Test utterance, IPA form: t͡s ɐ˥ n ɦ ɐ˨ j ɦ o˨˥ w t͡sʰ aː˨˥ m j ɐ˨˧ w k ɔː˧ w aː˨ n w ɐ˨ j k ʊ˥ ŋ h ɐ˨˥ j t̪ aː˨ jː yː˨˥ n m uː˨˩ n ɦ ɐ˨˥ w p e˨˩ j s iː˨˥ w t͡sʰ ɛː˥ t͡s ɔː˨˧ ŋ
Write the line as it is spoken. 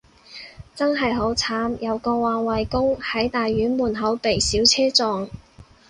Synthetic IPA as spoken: t͡s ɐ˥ n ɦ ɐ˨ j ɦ o˨˥ w t͡sʰ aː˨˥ m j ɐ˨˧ w k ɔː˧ w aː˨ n w ɐ˨ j k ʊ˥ ŋ h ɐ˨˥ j t̪ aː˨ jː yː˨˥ n m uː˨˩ n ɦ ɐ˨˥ w p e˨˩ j s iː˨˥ w t͡sʰ ɛː˥ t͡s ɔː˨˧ ŋ